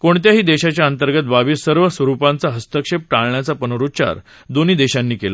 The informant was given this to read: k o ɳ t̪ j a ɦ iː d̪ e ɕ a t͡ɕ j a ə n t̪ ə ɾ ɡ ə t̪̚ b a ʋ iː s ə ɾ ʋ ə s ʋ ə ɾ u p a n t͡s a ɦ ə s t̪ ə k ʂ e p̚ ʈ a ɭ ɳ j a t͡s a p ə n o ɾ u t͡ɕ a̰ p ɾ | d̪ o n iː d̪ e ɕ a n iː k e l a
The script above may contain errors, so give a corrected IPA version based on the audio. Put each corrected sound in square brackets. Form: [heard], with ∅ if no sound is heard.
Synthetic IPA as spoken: k o ɳ t̪ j a ɦ iː d̪ e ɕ a t͡ɕ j a ə n t̪ ə ɾ ɡ ə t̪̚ b a ʋ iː s ə ɾ ʋ ə s ʋ ə ɾ u p a n t͡s a ɦ ə s t̪ ə k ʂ e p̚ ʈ a ɭ ɳ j a t͡s a p ə n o ɾ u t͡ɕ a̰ [∅] ɾ | d̪ o n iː d̪ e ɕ a [nː] iː k e l a